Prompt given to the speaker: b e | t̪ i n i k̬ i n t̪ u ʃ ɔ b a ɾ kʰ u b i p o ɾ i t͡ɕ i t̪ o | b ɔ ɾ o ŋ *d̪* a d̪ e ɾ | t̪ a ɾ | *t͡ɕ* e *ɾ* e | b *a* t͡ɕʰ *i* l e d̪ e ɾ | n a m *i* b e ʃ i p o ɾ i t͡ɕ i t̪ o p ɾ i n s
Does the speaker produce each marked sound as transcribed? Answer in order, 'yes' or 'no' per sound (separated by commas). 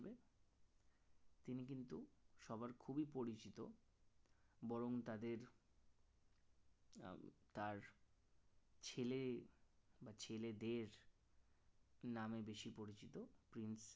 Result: no, no, no, yes, no, no